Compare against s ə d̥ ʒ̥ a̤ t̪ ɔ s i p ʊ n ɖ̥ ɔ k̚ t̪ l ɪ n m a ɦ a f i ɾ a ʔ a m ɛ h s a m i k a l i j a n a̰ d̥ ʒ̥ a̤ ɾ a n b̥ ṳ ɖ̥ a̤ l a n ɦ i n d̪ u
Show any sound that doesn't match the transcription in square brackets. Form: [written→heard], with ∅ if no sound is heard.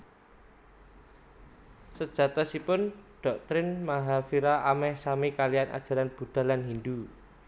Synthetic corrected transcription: s ə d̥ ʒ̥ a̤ t̪ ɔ s i p ʊ n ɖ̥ ɔ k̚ t̪ [l→ɾ] ɪ n m a ɦ a f i ɾ a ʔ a m ɛ h s a m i k a l i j a n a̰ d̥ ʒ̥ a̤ ɾ a n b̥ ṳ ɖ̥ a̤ l a n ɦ i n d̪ u